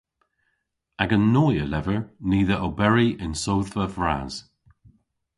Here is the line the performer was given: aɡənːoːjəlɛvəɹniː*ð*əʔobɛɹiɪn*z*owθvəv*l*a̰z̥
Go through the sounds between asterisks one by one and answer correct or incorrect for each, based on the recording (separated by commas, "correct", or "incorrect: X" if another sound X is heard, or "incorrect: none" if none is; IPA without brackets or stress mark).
correct, incorrect: s, incorrect: ɹ